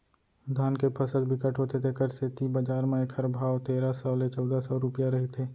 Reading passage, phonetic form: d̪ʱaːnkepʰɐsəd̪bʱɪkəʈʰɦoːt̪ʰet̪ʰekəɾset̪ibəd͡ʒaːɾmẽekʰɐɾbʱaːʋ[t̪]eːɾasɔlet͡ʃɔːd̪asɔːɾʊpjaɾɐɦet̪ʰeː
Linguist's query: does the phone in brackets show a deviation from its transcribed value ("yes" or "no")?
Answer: no